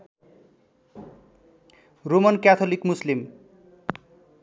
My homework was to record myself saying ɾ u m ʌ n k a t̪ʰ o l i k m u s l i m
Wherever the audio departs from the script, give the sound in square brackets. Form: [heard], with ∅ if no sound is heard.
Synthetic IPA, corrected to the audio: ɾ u m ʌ n k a t̪ʰ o l i k m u s l i m